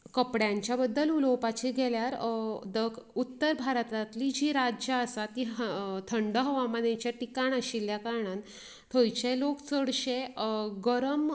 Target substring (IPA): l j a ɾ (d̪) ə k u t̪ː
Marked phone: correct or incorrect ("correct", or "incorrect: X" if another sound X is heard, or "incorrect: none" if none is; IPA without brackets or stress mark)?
correct